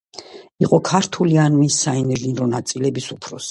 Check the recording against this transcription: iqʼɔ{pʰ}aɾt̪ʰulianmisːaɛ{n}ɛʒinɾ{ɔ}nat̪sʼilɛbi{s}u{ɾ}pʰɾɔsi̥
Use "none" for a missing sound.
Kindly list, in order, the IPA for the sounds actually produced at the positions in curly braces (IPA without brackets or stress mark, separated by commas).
kʰ, n, ɔ, s, none